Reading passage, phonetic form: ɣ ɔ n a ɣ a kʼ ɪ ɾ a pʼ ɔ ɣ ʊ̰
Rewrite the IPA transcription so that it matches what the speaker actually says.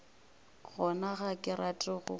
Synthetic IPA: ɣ ɔ n a ɣ a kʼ ɪ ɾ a tʼ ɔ ɣ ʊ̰